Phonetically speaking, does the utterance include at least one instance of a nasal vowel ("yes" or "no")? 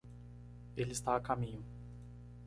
yes